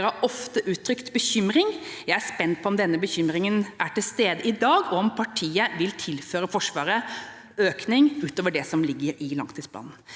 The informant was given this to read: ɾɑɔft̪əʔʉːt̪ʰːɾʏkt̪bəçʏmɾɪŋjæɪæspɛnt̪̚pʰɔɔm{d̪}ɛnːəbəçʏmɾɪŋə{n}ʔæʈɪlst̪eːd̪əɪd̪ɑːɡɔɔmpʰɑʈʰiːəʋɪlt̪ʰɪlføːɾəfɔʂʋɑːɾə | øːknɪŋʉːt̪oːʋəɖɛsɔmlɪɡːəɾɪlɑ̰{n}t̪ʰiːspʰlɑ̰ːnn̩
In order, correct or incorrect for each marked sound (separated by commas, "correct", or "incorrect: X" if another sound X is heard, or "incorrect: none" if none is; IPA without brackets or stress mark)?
correct, correct, incorrect: ŋ